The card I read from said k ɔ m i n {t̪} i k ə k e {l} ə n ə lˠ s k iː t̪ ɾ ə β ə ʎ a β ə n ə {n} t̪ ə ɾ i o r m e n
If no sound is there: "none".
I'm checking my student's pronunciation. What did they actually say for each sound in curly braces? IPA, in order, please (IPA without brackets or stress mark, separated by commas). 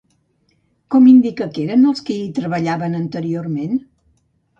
d̪, ɾ, n